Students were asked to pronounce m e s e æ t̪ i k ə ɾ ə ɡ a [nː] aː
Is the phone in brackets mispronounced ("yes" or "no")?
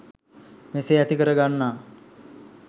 no